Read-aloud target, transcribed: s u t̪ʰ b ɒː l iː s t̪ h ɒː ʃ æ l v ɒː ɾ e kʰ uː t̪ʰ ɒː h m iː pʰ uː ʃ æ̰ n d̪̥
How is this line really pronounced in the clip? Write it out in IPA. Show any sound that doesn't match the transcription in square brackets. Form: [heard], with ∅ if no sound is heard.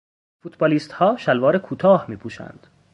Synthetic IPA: [f] u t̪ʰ b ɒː l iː s t̪ h ɒː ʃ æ l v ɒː ɾ e kʰ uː t̪ʰ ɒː h m iː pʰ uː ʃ æ̰ n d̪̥